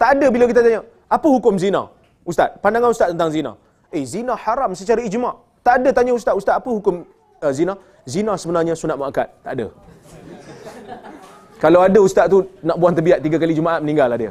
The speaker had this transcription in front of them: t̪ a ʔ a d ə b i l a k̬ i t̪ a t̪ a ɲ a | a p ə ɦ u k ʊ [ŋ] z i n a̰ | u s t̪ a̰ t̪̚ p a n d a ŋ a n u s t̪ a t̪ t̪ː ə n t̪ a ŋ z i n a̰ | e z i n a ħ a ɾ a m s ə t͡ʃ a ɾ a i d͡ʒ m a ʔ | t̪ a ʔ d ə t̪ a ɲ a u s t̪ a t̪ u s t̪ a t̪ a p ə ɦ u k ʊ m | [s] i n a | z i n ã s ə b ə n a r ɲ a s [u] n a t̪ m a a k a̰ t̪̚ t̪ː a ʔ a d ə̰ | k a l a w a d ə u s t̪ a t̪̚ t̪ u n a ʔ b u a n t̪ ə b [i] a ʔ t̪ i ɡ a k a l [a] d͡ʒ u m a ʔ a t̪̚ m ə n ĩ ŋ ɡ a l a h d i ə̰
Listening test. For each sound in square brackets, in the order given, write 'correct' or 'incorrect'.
incorrect, incorrect, correct, correct, incorrect

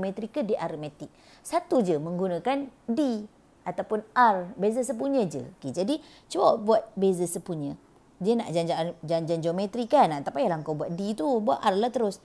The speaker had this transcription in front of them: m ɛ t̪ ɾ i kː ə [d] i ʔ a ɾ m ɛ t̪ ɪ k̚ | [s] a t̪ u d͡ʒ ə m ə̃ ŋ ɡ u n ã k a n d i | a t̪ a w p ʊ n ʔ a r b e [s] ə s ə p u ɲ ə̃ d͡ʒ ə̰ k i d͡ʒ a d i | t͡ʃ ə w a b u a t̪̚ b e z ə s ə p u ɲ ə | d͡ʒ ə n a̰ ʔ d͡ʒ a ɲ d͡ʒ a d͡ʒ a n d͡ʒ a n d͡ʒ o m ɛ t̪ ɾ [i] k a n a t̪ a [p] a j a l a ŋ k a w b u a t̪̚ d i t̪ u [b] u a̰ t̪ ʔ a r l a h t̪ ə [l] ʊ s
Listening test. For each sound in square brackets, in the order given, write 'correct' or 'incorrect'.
correct, correct, incorrect, correct, correct, correct, incorrect

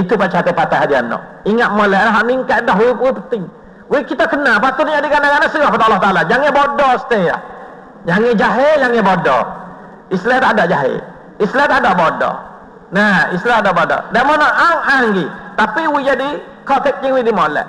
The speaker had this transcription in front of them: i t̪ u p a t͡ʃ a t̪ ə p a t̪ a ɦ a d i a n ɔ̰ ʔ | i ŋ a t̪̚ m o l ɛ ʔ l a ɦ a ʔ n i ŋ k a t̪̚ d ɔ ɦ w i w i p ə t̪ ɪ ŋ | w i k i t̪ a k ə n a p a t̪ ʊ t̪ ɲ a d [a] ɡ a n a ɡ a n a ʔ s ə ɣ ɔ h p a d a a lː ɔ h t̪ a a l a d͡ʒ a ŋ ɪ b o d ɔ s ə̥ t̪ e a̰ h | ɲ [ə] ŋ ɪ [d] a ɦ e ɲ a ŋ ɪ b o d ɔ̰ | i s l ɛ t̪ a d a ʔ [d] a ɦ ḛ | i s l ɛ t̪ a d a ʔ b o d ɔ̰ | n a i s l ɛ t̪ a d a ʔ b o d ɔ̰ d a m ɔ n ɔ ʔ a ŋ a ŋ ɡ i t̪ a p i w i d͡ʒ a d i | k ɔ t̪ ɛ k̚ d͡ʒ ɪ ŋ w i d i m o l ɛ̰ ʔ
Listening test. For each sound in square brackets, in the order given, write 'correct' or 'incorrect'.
incorrect, incorrect, incorrect, incorrect

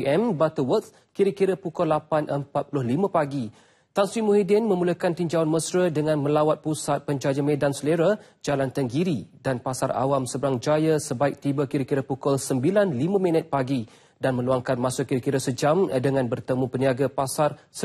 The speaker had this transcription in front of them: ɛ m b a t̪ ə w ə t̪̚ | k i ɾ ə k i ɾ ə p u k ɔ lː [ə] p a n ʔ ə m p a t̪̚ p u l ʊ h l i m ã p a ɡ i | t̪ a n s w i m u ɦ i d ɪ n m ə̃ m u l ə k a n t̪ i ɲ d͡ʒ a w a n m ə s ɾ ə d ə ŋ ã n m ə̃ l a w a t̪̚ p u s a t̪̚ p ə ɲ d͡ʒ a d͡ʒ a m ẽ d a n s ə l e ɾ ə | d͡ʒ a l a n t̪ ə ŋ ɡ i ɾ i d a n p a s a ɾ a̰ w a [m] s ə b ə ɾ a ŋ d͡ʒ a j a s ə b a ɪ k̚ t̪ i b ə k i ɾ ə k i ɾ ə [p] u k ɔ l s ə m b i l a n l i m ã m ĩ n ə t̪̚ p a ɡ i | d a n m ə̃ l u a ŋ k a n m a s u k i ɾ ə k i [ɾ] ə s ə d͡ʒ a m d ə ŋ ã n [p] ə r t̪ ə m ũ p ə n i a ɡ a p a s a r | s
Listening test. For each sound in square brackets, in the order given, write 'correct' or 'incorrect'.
incorrect, correct, correct, correct, incorrect

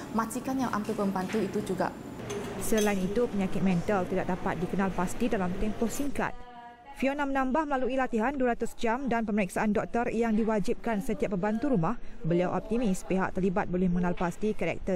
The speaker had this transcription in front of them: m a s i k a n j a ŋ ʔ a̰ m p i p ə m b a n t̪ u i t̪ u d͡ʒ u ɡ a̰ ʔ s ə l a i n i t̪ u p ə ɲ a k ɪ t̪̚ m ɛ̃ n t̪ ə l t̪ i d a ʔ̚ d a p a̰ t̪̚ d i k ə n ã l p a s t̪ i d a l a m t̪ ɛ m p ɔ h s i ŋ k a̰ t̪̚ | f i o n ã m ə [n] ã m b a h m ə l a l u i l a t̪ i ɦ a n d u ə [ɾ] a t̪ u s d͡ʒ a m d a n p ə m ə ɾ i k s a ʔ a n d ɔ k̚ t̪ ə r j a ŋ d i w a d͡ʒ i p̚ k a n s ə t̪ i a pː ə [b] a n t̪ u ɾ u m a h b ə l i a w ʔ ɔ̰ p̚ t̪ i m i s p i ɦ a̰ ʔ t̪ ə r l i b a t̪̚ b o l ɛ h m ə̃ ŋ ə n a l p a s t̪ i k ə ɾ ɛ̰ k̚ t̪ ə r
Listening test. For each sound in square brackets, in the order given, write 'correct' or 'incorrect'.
correct, correct, correct

